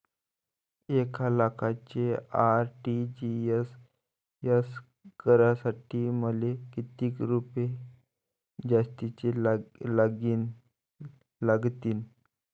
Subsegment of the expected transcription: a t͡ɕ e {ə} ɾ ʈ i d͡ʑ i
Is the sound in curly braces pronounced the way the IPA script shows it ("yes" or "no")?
no